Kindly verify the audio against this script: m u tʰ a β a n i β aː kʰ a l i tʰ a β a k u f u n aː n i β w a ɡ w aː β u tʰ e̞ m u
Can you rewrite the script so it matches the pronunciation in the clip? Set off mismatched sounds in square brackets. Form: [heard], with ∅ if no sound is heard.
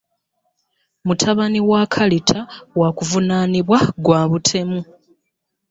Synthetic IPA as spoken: m u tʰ a β a n i [w] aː kʰ a l i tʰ a [w] a k u [v] u n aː n i β w a ɡ w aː β u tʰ e̞ m u

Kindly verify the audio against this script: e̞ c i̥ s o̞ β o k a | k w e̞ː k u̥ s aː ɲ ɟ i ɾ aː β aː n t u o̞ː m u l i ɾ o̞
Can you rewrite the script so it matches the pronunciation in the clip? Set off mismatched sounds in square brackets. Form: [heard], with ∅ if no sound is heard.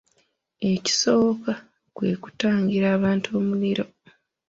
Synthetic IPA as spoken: e̞ c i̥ s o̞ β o k a | k w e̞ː k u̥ [t] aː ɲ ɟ i ɾ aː β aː n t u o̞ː m u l i ɾ o̞

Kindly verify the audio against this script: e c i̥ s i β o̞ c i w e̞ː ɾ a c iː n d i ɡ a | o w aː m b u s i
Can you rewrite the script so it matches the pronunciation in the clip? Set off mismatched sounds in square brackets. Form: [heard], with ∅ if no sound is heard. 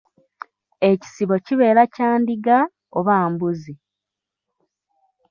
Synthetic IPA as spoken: e c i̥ s i β o̞ c i [β] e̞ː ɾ a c [aː] n d i ɡ a | o [β] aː m b u [z] i

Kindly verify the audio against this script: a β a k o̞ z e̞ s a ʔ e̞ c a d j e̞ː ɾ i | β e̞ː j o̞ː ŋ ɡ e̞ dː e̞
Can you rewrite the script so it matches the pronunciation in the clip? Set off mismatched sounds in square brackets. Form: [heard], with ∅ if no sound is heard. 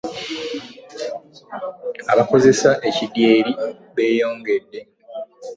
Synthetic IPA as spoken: a β a k o̞ z e̞ s a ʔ e̞ c [i] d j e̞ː ɾ i | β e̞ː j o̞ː ŋ ɡ e̞ dː e̞

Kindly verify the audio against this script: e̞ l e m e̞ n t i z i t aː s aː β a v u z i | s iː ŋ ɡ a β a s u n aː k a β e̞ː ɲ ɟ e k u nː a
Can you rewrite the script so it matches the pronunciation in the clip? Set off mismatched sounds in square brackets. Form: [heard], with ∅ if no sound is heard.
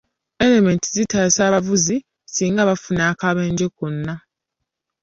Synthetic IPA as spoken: e̞ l e m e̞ n t i z i t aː s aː β a v u z i | s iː ŋ ɡ a β a [f] u n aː k a β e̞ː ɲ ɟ e k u nː a

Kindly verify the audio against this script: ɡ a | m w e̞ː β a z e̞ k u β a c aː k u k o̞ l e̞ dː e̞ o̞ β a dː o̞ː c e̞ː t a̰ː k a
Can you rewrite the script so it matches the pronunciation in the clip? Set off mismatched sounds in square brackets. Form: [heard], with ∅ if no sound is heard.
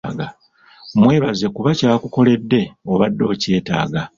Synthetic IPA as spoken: ɡ a | m w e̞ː β a z e̞ k u β a c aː k u k o̞ l e̞ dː e̞ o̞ β a dː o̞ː c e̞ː t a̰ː [ɡ] a

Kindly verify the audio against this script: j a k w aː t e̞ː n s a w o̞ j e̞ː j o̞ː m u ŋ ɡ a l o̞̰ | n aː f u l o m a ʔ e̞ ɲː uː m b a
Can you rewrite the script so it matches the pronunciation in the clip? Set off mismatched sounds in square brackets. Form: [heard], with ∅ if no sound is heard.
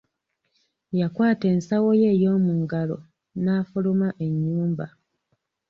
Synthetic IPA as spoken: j a k w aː t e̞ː n s a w o̞ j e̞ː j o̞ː m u ŋ ɡ a l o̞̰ | n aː f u l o m a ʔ e̞ ɲː uː m b a

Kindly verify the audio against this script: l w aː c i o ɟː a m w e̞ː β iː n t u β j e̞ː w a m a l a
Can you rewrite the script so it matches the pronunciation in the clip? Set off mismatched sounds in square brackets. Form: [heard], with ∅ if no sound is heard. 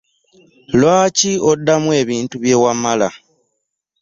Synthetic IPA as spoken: l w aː c i o [dː] a m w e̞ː β iː n t u β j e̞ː w a m a l a

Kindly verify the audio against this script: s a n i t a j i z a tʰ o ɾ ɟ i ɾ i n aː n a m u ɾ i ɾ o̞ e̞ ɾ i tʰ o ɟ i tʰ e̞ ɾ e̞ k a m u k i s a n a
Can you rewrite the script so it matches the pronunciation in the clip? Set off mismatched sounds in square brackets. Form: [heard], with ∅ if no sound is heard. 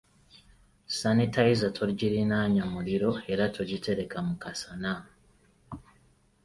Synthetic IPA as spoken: s a n i t a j i z a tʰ o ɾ ɟ i ɾ i n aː [ɲ] a m u ɾ i ɾ o̞ e̞ ɾ [a] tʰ o ɟ i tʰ e̞ ɾ e̞ k a m u k [a] s a n a

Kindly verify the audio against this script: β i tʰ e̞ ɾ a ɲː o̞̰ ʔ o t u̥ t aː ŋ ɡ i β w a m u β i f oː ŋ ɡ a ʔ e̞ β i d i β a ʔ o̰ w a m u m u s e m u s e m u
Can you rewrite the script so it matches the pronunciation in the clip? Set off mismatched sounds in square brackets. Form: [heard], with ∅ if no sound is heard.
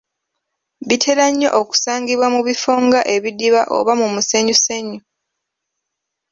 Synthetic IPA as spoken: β i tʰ e̞ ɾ a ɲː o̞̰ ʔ o [k] u̥ [s] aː ŋ ɡ i β w a m u β i f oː ŋ ɡ a ʔ e̞ β i d i β a ʔ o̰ [β] a m u m u s e [ɲ] u s e [ɲ] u

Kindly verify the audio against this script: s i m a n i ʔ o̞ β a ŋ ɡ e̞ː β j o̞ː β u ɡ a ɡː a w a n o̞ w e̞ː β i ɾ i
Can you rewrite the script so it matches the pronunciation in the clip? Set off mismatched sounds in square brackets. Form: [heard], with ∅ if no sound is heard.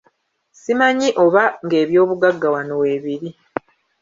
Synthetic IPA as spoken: s i m a [ɲ] i ʔ o̞ β a ŋ ɡ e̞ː β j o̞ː β u ɡ a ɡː a w a n o̞ w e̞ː β i ɾ i

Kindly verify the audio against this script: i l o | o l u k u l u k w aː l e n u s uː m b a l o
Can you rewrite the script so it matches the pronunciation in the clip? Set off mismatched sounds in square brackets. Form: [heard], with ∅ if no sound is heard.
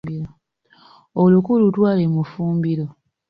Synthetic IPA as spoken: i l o | o l u k u l u [t] w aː l e [m] u [f] uː m b [i] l o

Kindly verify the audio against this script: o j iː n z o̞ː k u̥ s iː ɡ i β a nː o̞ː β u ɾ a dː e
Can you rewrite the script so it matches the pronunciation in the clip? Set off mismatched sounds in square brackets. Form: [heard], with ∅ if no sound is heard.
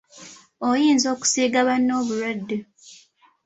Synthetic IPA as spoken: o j iː n z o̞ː k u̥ s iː ɡ [a] β a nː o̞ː β u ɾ a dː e

